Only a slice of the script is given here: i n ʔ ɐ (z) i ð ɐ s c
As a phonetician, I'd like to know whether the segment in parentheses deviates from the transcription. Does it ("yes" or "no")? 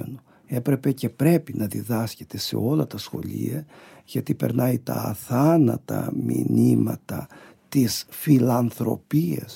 yes